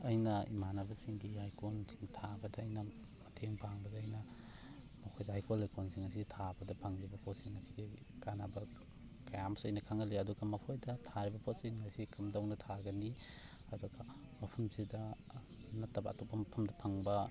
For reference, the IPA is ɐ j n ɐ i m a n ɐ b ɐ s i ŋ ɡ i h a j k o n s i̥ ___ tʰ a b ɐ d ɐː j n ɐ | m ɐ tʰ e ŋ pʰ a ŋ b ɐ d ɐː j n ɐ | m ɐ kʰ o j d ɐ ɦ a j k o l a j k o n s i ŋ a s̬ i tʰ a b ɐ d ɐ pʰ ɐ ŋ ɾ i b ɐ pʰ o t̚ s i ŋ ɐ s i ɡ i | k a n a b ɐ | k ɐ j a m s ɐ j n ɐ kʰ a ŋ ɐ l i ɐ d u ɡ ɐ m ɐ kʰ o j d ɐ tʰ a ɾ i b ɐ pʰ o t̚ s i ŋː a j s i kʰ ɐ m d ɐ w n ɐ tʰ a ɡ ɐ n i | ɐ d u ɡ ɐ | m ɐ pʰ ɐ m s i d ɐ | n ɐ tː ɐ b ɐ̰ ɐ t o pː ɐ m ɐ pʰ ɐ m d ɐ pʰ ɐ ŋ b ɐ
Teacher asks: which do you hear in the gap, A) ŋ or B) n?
A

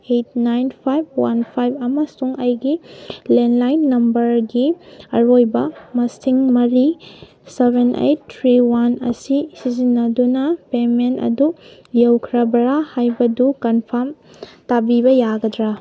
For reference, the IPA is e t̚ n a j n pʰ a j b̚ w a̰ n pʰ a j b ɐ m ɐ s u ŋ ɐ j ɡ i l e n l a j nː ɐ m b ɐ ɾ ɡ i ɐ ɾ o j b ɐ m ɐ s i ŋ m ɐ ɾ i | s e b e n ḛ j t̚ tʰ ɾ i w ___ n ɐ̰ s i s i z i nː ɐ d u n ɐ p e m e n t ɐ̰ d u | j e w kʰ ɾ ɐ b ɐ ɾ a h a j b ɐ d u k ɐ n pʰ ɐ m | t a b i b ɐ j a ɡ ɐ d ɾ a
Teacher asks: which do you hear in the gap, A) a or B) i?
A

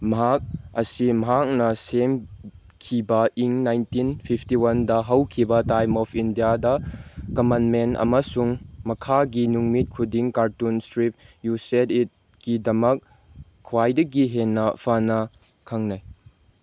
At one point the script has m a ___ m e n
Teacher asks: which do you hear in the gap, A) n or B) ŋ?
A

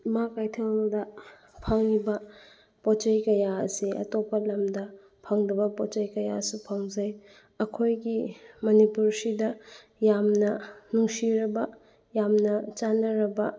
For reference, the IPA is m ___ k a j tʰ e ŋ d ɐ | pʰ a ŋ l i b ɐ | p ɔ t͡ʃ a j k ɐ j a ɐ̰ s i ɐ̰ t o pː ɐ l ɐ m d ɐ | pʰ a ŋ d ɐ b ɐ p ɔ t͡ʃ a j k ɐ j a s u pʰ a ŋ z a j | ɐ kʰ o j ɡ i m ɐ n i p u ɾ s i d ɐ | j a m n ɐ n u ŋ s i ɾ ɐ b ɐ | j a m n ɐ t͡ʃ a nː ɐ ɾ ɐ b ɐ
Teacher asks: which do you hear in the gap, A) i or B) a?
B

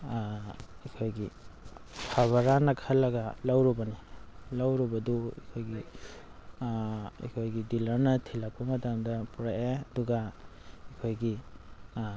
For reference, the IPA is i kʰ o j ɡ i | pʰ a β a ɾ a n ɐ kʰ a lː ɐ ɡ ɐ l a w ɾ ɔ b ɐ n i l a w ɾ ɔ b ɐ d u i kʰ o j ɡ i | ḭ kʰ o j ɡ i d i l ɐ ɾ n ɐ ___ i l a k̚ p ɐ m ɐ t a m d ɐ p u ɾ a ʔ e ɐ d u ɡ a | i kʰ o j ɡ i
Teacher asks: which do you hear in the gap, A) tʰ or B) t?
A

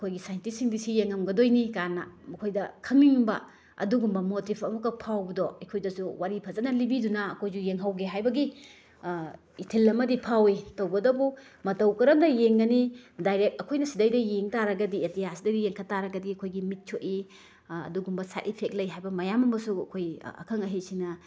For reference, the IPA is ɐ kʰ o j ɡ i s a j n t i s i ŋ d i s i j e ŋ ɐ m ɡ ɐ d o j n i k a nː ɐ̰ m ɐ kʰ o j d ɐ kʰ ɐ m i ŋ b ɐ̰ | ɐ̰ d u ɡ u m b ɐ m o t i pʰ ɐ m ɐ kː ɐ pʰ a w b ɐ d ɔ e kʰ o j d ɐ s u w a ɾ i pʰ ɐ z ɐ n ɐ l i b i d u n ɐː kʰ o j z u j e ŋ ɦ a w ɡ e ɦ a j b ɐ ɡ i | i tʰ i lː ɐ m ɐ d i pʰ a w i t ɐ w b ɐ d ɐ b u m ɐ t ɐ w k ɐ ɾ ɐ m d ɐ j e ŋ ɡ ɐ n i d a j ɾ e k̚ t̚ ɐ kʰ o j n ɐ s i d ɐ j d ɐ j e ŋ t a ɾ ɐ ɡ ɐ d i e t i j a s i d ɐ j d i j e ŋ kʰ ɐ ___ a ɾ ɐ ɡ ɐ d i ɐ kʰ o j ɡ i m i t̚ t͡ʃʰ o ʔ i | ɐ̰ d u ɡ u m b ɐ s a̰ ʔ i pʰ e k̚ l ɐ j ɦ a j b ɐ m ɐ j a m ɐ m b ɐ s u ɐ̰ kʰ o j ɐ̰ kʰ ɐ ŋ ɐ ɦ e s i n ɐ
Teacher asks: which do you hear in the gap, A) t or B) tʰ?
A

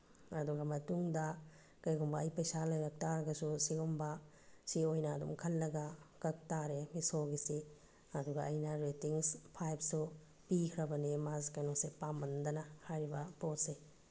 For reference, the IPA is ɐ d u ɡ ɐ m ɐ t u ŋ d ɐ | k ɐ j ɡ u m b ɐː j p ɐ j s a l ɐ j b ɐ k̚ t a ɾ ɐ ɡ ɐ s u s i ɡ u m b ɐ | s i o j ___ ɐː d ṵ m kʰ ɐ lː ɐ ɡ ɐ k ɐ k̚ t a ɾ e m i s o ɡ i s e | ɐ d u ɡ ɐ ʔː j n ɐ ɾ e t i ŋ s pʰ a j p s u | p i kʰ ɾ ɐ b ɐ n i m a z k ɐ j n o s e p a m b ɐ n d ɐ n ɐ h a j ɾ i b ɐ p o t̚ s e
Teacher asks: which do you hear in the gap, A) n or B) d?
A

